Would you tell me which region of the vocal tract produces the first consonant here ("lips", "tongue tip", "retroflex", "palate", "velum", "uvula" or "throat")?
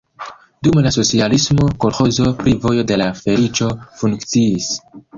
tongue tip